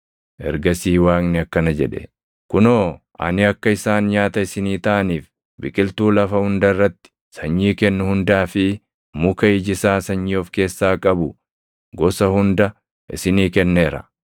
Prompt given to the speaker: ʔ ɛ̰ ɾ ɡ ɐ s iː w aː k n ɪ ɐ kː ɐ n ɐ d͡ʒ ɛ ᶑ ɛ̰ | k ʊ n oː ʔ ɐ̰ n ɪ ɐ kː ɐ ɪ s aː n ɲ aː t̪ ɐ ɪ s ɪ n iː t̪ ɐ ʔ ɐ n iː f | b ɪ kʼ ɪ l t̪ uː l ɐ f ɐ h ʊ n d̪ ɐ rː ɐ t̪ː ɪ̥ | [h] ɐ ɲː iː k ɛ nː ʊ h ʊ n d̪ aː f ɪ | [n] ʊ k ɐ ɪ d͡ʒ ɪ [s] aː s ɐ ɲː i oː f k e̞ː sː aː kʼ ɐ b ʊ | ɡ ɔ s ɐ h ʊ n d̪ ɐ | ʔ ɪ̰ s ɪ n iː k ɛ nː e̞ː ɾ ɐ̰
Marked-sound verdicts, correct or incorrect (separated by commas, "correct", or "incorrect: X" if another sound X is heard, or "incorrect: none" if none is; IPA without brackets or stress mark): incorrect: s, incorrect: m, correct